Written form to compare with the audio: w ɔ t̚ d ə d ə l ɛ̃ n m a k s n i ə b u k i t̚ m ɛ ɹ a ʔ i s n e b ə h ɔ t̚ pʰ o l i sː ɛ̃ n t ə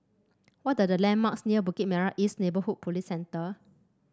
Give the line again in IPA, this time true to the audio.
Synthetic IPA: w ɔ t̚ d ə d ə l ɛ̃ n m a k s n i ə b u k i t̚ m ɛ ɹ a ʔ i s n e b ə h u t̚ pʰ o l i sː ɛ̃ n t ə

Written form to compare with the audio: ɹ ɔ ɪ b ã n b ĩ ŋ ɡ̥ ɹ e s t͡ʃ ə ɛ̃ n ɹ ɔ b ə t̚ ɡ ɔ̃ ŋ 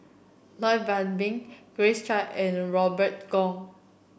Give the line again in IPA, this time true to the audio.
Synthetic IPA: l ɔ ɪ b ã n b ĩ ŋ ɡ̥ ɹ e s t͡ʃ a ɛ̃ n ɹ ɔ b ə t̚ ɡ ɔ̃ ŋ

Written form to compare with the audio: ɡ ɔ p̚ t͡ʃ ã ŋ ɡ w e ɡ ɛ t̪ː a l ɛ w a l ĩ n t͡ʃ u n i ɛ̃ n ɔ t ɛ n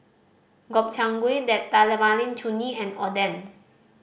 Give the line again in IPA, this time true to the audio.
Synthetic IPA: ɡ ɔ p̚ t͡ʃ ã ŋ ɡ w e d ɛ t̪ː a l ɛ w a l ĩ n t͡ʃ u n i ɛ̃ n ɔ d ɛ n

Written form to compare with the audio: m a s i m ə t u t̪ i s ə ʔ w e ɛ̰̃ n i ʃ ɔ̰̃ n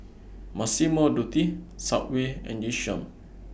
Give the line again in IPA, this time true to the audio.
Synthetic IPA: m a s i m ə d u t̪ i s a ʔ w e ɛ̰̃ n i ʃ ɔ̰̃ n

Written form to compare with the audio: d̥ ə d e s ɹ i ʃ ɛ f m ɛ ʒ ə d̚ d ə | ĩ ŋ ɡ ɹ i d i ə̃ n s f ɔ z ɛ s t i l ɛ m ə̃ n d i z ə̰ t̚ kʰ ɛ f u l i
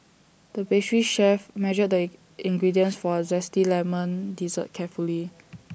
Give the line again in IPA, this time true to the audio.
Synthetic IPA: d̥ ə b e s ɹ i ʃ ɛ f m ɛ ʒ ə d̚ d ə | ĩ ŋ ɡ ɹ i d i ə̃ n s f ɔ z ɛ s t i l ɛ m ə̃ n d i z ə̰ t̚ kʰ ɛ f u l i

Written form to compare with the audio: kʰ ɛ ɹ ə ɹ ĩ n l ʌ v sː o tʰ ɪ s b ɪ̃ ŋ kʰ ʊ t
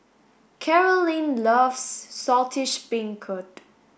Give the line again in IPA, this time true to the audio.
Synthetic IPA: kʰ ɛ ɹ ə l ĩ n l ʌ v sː ɔ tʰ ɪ ʃ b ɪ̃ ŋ kʰ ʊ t

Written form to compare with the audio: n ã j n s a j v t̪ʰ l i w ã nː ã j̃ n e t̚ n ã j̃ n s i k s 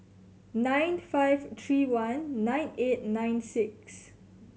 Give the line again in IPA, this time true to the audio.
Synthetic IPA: n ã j n f a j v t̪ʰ ɹ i w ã nː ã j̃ n e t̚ n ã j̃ n s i k s

